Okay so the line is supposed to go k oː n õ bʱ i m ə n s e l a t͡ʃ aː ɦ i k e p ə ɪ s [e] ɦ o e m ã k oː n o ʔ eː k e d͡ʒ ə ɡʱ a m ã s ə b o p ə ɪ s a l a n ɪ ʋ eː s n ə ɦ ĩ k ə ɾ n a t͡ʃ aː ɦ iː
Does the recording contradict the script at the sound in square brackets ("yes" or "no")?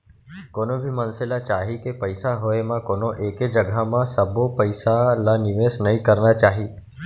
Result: yes